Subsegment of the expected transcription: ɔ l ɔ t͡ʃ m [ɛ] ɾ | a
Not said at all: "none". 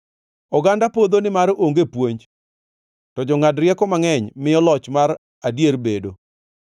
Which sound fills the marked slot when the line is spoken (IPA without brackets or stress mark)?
a